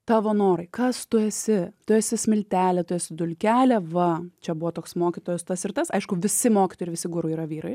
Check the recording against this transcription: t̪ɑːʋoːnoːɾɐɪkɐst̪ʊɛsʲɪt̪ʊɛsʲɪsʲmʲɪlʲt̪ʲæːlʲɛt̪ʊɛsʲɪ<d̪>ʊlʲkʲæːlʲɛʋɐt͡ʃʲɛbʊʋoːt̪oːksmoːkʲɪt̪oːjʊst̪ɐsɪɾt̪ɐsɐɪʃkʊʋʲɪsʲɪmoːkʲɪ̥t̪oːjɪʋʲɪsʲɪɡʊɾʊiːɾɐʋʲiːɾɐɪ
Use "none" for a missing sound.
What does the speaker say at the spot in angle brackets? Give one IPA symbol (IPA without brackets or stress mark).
d̪